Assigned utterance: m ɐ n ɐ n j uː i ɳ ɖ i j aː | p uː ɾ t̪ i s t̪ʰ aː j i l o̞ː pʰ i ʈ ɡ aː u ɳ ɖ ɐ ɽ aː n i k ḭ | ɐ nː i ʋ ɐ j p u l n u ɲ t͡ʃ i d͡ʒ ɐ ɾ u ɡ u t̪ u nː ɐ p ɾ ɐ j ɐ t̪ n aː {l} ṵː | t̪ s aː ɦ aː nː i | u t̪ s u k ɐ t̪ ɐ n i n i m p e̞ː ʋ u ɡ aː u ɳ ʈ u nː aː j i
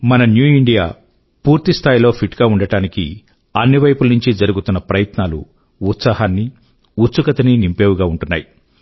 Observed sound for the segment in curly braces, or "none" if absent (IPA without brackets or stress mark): l